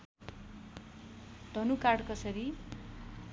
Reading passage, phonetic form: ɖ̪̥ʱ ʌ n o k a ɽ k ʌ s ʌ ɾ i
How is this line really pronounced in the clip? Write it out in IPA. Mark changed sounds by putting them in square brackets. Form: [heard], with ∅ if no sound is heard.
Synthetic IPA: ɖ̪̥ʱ ʌ n [u] k a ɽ k ʌ s ʌ ɾ i